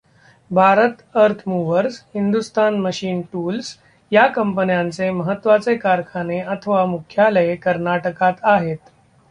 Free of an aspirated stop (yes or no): no